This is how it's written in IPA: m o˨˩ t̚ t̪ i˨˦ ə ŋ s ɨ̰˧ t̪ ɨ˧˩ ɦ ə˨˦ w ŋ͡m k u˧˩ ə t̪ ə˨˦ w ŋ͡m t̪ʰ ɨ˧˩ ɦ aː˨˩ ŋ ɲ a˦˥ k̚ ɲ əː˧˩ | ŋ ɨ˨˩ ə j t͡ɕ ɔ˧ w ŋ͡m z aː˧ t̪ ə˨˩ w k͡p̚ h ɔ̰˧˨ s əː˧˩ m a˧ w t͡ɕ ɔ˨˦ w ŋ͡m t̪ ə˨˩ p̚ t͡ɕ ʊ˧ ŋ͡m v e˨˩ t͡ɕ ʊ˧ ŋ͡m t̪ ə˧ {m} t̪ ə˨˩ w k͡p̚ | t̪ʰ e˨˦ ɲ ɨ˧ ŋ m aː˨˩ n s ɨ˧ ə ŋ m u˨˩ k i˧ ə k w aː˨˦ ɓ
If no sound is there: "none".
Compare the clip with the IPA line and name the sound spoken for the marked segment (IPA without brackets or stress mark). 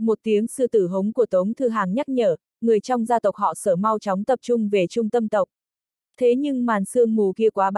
m